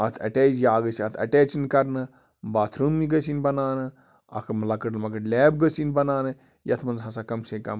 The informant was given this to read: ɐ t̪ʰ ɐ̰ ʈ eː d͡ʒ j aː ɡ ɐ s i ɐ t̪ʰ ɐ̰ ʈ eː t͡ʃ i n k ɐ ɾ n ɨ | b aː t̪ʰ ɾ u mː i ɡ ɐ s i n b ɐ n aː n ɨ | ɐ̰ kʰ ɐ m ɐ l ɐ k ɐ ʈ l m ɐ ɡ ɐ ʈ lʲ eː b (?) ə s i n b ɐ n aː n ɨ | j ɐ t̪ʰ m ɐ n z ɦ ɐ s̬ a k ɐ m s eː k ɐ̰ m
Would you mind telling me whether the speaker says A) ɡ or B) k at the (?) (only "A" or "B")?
A